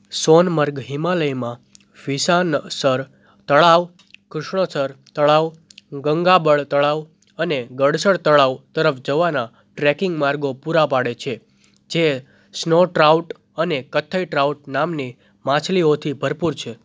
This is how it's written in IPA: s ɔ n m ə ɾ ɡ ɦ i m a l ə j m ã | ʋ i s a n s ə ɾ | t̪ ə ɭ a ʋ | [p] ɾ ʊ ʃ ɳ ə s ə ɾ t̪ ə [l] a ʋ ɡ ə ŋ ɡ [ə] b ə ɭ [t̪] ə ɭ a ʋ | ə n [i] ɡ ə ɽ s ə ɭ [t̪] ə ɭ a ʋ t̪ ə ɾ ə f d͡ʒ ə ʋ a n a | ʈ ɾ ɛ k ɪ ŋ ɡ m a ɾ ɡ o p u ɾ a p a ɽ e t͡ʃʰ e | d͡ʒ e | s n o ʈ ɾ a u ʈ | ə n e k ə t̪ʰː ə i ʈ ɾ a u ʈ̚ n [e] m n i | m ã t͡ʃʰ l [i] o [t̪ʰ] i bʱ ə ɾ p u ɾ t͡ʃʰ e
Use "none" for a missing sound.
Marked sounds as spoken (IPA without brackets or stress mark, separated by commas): k, ɭ, a, t̪, e, t̪, a, i, t̪ʰ